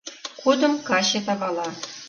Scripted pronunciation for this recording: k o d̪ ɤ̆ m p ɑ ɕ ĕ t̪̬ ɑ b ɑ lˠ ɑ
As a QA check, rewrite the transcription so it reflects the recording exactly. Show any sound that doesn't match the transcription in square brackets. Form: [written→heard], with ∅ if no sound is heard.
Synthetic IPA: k [o→u] d̪ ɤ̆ m [p→k] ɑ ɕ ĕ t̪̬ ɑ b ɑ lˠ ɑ